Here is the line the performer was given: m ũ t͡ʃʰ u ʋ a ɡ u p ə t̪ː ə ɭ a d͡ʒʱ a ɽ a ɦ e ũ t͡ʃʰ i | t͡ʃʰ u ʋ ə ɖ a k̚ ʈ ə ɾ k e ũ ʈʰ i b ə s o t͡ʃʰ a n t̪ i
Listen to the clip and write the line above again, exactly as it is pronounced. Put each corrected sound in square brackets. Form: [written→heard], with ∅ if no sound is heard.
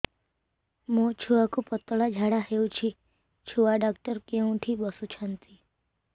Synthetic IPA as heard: m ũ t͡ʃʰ u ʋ a [ɡ→k] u p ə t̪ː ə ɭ a d͡ʒʱ a ɽ a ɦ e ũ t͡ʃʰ i | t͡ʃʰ u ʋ [ə→a] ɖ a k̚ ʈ ə ɾ k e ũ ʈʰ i b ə s [o→u] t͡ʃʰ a n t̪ i